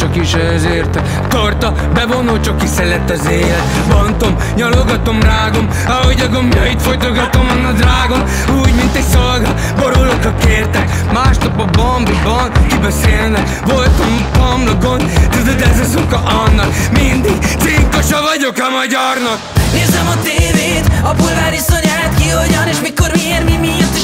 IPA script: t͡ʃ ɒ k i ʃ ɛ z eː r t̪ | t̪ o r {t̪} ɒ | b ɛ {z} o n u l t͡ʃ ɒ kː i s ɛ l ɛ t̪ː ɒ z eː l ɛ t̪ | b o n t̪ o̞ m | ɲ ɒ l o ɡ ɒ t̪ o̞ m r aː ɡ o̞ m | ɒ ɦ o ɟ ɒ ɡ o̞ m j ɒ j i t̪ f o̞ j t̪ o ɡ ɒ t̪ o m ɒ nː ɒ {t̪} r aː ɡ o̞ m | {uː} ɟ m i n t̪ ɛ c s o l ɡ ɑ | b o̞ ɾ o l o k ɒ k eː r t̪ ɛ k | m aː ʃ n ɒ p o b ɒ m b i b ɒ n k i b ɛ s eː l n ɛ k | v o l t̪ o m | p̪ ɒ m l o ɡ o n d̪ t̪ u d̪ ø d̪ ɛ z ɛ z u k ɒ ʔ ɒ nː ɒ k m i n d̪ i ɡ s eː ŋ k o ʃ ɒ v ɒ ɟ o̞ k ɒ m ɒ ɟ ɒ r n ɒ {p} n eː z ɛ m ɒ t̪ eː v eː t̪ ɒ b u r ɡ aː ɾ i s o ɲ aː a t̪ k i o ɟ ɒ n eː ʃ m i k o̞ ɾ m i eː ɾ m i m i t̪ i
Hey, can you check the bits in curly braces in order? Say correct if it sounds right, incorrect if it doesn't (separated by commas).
correct, incorrect, incorrect, correct, incorrect